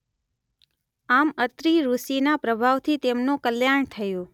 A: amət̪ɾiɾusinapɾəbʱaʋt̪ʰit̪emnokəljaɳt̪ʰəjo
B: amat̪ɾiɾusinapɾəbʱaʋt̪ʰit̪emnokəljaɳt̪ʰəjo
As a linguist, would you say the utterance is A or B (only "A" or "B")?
A